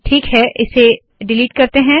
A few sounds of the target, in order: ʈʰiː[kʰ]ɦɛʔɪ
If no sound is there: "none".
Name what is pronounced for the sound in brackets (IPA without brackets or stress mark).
k